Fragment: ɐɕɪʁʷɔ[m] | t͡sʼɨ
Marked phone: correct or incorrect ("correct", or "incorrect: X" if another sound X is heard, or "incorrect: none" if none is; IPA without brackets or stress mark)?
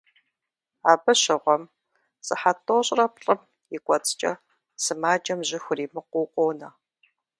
correct